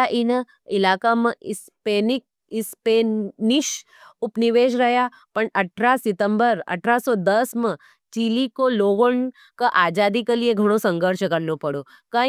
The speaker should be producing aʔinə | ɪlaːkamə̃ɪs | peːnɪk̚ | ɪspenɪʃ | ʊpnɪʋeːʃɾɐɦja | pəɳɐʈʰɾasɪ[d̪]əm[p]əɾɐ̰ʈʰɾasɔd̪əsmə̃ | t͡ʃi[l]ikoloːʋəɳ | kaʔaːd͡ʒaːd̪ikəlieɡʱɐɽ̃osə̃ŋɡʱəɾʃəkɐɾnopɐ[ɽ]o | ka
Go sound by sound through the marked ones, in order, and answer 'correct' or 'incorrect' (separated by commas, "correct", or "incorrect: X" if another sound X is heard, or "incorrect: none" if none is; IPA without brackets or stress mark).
incorrect: t̪, incorrect: b, correct, correct